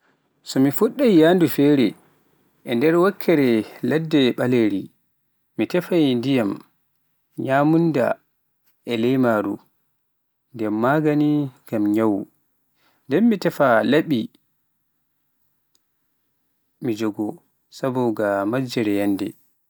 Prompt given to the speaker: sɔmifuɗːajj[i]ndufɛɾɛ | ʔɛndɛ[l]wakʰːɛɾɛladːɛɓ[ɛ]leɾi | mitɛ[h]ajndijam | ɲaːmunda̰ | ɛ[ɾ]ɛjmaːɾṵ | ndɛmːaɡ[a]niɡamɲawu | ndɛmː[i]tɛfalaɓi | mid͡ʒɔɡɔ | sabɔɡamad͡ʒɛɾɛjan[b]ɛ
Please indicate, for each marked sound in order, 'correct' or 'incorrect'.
incorrect, incorrect, incorrect, incorrect, incorrect, correct, correct, incorrect

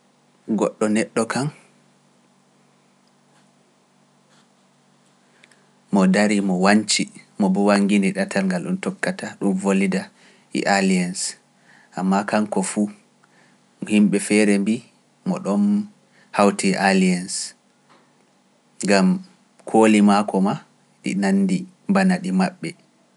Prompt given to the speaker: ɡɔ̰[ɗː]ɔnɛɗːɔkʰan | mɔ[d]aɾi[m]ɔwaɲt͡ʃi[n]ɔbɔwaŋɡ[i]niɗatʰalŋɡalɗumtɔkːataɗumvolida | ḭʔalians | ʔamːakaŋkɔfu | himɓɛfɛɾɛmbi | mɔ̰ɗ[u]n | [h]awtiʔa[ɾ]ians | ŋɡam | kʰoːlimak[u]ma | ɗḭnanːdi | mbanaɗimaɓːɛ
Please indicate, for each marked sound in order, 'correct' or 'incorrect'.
correct, correct, correct, incorrect, correct, incorrect, correct, incorrect, incorrect

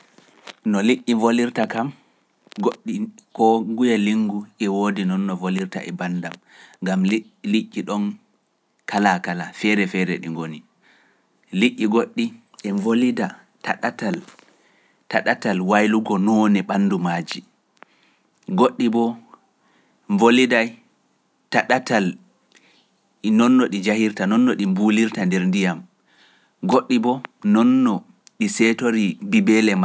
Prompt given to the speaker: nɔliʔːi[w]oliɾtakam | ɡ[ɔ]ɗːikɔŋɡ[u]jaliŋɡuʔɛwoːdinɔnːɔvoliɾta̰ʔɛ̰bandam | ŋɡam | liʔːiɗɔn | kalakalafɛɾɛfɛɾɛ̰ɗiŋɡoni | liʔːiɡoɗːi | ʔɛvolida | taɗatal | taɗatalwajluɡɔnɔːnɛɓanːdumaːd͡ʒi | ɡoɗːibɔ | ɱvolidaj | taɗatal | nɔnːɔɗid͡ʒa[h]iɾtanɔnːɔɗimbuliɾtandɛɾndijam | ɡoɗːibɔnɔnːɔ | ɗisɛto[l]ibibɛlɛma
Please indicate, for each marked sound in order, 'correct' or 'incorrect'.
incorrect, incorrect, correct, correct, incorrect

